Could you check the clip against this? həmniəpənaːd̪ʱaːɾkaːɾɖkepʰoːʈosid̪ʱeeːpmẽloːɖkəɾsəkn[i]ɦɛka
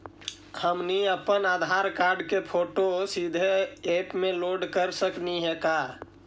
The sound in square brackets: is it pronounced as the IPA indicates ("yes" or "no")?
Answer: yes